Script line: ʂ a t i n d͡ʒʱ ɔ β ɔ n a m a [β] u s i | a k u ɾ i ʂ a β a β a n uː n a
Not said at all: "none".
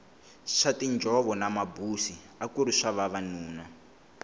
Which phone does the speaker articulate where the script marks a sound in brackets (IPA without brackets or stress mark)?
b